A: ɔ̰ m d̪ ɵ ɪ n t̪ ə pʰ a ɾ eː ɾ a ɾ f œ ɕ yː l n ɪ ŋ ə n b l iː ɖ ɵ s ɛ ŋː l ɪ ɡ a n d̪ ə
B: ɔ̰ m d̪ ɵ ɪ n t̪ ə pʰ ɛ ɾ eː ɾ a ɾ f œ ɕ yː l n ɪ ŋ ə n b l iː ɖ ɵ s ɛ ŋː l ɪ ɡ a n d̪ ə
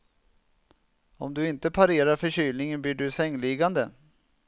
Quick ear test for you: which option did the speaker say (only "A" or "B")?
A